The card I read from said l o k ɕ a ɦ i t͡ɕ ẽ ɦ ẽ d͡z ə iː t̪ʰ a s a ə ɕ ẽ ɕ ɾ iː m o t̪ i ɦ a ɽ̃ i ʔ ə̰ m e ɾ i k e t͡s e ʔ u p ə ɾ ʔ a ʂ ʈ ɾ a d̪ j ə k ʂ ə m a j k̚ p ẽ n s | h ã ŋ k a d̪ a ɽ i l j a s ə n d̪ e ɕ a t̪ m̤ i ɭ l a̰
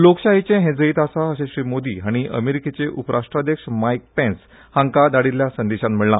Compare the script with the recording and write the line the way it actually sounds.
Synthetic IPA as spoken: l o k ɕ a ɦ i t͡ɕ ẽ ɦ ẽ d͡z ə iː t̪ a s a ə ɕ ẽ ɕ ɾ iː m o d̪ i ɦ a ɽ̃ i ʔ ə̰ m e ɾ i k e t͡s e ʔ u p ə ɾ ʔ a ʂ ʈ ɾ a d̪ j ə k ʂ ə m a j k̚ p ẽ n s | h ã ŋ k a d̪ a ɽ i l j a s ə n d̪ e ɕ a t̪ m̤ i ɭ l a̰